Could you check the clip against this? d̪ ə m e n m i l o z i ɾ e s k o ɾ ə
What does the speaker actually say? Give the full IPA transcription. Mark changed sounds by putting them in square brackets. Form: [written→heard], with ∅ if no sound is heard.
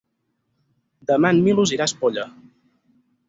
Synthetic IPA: d̪ ə m [e→a] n m i l [o→u] z i ɾ [e→a] s [k→p] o [ɾ→ʎ] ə